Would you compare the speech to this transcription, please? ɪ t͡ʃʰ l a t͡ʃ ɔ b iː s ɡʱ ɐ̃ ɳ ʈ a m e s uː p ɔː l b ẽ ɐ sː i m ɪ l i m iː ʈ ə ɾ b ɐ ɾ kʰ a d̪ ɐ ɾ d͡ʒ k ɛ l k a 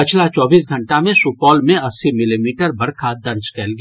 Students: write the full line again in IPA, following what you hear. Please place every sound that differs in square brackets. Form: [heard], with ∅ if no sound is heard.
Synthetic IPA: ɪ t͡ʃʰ l a t͡ʃ [ɔː] b iː s ɡʱ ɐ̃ ɳ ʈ a m [ẽ] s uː p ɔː l [m] ẽ ɐ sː i m ɪ l i m iː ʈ ə ɾ b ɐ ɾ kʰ a d̪ ɐ ɾ d͡ʒ k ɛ l [ɡ] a

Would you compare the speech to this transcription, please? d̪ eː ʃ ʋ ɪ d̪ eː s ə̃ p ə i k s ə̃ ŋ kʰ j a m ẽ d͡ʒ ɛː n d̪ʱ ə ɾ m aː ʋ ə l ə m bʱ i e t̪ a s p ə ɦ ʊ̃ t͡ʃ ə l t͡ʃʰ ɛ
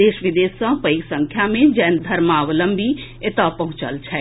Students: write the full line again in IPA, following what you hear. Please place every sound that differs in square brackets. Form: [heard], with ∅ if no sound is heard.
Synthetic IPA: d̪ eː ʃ ʋ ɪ d̪ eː s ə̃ p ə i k s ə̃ ŋ kʰ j a m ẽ d͡ʒ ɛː n d̪ʱ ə ɾ m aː ʋ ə l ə m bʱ i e t̪ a [∅] p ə ɦ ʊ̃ t͡ʃ ə l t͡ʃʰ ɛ

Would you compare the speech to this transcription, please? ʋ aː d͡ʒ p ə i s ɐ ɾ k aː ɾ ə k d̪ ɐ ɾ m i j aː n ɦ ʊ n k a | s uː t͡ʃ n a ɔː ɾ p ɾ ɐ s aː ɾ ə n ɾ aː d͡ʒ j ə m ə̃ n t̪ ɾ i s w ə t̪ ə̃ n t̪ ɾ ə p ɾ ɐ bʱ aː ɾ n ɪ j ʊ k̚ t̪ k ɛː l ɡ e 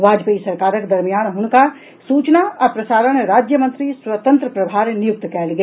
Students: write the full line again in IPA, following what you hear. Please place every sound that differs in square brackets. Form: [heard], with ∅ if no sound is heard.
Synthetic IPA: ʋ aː d͡ʒ p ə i s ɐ ɾ k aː ɾ ə k d̪ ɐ ɾ m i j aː n ɦ ʊ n k a | s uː t͡ʃ n a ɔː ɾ p ɾ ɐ s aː ɾ ə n ɾ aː d͡ʒ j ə m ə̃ n t̪ ɾ i s w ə t̪ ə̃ n t̪ ɾ ə p ɾ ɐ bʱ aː ɾ n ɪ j ʊ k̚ t̪ k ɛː l ɡ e

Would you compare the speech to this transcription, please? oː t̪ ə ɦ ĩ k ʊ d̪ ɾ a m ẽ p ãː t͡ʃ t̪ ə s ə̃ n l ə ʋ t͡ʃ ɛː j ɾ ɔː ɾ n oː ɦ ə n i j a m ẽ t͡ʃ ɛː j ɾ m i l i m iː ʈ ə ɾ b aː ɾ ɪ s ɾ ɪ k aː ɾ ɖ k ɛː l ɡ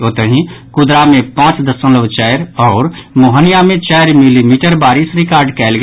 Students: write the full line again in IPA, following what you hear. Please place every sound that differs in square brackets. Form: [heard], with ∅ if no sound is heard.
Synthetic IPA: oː t̪ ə ɦ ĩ k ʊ d̪ ɾ a m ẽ p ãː t͡ʃ [d̪] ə s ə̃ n l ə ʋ t͡ʃ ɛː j ɾ ɔː ɾ [m] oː ɦ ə n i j a m ẽ t͡ʃ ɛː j ɾ m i l i m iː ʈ ə ɾ b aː ɾ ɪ s ɾ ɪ k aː ɾ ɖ k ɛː l ɡ

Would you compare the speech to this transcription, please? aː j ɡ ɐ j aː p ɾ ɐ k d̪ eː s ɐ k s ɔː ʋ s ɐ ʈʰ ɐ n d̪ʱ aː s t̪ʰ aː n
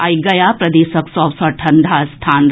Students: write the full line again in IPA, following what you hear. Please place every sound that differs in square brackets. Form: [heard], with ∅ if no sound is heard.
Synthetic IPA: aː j ɡ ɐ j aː p ɾ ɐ [∅] d̪ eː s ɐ k s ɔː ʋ s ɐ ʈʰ ɐ n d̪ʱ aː s t̪ʰ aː n

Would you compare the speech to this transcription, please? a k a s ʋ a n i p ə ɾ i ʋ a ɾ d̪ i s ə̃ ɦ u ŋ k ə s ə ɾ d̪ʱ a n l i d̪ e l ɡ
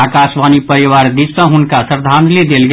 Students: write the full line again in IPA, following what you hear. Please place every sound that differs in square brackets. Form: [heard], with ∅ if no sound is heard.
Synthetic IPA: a k a s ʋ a n i p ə ɾ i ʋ a ɾ d̪ i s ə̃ ɦ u [n] k [a] s ə ɾ d̪ʱ a n l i d̪ e l ɡ

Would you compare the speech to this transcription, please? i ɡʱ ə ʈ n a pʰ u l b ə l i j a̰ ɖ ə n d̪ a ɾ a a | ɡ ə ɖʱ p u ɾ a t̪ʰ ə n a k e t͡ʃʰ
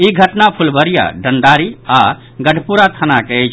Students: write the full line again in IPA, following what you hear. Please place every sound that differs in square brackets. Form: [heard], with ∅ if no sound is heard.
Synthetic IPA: i ɡʱ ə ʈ n a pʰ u l b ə [ɾ] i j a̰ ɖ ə n d̪ a ɾ [i] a | ɡ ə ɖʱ p u ɾ a t̪ʰ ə n a k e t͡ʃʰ

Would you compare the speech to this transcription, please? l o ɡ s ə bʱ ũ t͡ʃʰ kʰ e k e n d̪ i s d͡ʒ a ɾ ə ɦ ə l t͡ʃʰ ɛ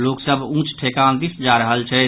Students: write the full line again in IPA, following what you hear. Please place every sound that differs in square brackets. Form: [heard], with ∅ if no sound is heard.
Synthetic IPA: l o [k] s ə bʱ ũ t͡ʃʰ [ʈʰ] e k [a] n d̪ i s d͡ʒ a ɾ ə ɦ ə l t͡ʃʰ ɛ

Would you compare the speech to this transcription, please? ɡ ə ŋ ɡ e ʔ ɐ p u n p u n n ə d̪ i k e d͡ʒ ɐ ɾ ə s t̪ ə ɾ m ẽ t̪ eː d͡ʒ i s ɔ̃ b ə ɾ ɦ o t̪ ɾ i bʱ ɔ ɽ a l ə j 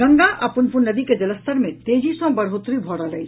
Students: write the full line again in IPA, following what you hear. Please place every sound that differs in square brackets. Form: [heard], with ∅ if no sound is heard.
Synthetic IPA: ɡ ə ŋ ɡ [a] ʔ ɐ p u n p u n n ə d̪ i k e d͡ʒ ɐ [l] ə s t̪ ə ɾ m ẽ t̪ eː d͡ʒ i s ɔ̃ b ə ɾ ɦ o t̪ ɾ i bʱ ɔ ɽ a l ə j

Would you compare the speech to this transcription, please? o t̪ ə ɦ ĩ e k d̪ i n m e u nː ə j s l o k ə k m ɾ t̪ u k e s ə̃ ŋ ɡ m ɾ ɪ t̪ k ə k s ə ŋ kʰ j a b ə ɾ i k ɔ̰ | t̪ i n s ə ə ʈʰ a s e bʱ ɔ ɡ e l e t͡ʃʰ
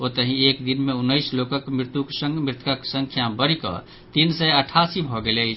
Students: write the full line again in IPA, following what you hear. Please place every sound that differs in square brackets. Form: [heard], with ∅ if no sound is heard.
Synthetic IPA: o t̪ ə ɦ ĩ e k d̪ i n m e u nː ə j s l o k ə k m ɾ t̪ u k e s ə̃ ŋ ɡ m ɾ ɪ t̪ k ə k s ə ŋ kʰ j a b ə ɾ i k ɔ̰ | t̪ i n s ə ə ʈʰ a s [i] bʱ ɔ ɡ e l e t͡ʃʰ

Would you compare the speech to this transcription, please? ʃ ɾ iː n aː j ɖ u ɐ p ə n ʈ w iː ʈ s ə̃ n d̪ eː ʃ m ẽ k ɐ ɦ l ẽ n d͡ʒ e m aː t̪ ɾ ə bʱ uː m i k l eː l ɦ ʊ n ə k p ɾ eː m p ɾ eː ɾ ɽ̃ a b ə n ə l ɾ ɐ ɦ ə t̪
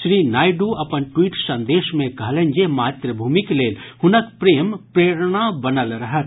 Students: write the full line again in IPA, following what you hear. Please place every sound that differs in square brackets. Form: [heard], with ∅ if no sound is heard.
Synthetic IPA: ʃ ɾ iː n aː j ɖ u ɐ p ə n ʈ w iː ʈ s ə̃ n d̪ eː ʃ m ẽ k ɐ ɦ l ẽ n d͡ʒ e m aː t̪ ɾ ə bʱ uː m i k l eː l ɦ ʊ n ə k p ɾ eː m p ɾ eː ɾ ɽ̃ a b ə n ə l ɾ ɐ ɦ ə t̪

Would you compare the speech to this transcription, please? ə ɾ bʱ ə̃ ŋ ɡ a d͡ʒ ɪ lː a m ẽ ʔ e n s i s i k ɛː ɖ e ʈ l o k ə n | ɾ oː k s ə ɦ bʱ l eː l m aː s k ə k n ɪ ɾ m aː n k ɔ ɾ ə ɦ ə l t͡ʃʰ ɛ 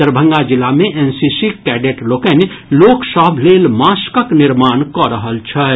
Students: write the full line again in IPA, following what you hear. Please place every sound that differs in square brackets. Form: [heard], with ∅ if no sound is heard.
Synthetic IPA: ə ɾ bʱ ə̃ ŋ ɡ a d͡ʒ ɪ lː a m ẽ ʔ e n s i s i k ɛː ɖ e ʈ l o k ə n | [l] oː k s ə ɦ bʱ l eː l m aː s k ə k n ɪ ɾ m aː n k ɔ ɾ ə ɦ ə l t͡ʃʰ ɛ

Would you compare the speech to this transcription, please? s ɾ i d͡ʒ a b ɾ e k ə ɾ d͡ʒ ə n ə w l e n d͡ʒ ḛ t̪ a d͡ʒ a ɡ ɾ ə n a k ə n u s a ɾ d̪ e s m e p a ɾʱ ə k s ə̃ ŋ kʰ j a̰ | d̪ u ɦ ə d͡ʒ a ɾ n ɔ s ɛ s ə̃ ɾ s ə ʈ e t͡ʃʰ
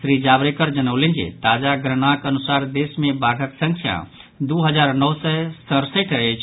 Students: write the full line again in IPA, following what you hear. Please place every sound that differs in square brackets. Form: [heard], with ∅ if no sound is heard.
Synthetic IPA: s ɾ i d͡ʒ a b ɾ e k ə ɾ d͡ʒ ə n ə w l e n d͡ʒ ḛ t̪ a d͡ʒ a ɡ ɾ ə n a k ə n u s a ɾ d̪ e s m e [b] a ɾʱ ə k s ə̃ ŋ kʰ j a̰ | d̪ u ɦ ə d͡ʒ a ɾ n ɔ s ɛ s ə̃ ɾ s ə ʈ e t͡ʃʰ

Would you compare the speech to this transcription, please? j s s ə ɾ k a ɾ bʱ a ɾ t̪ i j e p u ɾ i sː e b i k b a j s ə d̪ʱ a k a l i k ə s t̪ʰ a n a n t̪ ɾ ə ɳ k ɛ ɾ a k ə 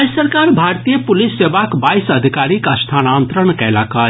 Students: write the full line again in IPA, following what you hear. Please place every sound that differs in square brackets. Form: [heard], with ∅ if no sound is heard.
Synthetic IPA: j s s ə ɾ k a ɾ bʱ a ɾ t̪ i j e p u [l] i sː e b [a] k b a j s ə d̪ʱ [i] k a [ɾ] i k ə s t̪ʰ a n a n t̪ ɾ ə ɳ k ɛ [l] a k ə

